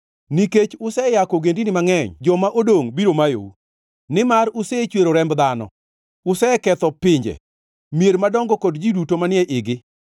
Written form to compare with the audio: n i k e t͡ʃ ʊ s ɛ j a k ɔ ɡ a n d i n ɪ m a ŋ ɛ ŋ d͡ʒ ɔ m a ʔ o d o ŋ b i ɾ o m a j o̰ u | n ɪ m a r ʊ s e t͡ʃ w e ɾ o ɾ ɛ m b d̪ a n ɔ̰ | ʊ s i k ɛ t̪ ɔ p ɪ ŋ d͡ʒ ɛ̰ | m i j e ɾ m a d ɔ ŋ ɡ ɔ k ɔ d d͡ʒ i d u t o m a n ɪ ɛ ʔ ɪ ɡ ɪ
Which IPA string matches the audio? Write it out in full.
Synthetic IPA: n i k e t͡ʃ ʊ s ɛ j a k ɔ ɡ e n d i n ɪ m a ŋ ɛ ɲ d͡ʒ ɔ m a ʔ o d o ŋ b i ɾ o m a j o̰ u | n ɪ m a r ʊ s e t͡ʃ w e ɾ o ɾ ɛ m b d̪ a n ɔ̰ | ʊ s ɛ k ɛ t̪ ɔ p ɪ ɲ d͡ʒ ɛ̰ | m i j e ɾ m a d ɔ ŋ ɡ ɔ k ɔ d d͡ʒ i d u t o m a n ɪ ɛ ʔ ɪ ɡ ɪ